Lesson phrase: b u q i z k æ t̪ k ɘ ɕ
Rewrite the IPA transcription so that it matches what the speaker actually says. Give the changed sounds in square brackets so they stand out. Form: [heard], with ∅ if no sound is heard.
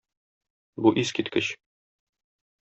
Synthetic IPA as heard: b u [ʔ] i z k [i] t̪ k ɘ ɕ